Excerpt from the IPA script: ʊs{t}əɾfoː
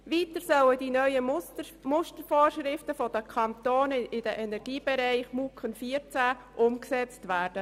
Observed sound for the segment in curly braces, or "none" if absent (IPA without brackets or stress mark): t